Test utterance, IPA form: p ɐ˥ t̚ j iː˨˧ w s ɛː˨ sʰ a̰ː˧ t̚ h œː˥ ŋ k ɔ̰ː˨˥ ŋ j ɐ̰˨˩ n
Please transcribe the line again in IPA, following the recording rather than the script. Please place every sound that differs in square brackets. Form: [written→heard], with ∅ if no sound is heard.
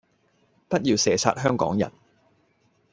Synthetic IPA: p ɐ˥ t̚ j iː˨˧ w s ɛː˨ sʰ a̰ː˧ t̚ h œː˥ ŋ k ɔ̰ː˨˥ ŋ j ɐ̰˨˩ n

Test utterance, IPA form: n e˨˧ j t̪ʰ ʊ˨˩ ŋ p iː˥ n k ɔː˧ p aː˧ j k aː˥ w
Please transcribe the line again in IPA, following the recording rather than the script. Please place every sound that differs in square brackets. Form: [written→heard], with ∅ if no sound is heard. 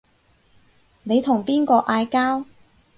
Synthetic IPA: n e˨˧ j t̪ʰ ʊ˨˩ ŋ p iː˥ n k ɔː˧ [p→ʔ] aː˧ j k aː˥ w

